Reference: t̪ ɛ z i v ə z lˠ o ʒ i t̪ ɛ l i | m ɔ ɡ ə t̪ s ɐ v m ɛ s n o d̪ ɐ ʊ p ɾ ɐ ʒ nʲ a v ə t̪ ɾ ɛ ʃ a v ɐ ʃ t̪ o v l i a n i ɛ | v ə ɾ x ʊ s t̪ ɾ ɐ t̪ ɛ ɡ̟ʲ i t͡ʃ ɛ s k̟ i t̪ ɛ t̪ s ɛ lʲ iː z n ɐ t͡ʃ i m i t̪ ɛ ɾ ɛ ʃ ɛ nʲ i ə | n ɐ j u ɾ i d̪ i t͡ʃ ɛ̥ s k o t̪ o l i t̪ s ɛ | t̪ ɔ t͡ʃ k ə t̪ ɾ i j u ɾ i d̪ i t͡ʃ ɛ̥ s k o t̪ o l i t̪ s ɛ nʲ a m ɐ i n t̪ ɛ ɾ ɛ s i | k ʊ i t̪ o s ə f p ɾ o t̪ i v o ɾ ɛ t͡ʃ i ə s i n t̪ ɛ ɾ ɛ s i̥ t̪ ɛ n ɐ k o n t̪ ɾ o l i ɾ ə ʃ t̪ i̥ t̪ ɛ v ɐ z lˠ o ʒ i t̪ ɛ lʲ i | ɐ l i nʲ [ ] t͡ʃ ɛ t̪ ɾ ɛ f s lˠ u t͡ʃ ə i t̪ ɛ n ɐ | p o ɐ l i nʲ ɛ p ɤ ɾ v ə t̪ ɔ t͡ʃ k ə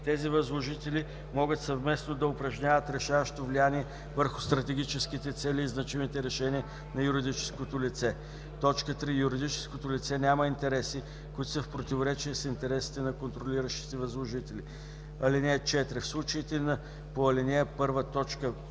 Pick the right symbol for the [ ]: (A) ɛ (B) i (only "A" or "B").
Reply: A